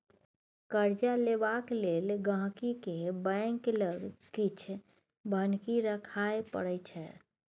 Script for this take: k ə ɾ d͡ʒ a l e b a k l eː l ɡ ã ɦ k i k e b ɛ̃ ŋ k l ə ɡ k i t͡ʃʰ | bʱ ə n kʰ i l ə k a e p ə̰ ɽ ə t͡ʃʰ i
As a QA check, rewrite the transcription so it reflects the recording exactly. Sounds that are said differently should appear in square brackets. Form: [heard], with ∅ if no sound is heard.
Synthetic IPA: k ə ɾ d͡ʒ a l e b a k l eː l ɡ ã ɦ k i k e b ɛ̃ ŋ k l ə ɡ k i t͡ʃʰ | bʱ ə n [k] i [ɾ] ə [kʰ] a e p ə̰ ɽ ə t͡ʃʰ [ɛ]